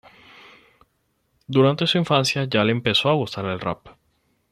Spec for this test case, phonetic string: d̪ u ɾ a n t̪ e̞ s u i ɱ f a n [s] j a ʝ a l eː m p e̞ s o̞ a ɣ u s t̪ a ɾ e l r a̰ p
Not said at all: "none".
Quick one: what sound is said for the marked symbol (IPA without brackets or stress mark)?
s